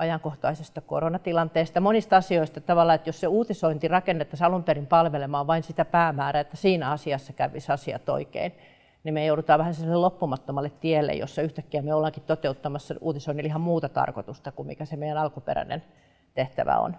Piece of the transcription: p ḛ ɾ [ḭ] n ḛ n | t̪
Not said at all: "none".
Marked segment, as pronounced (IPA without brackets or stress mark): æ̰